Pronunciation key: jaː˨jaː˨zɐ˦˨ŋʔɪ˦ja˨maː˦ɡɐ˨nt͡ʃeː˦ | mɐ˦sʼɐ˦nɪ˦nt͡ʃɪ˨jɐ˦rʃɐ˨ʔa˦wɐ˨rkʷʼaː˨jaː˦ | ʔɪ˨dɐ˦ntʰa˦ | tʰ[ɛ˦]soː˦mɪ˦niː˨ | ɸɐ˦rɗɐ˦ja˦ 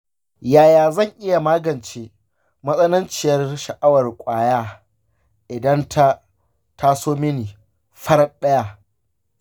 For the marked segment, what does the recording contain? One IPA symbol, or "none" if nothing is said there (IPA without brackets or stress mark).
a˦